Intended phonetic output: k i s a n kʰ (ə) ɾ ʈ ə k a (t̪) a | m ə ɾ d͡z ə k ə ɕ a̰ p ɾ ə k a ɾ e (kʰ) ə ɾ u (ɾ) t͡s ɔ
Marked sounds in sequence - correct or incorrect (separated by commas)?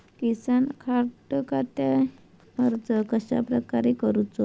incorrect, correct, incorrect, incorrect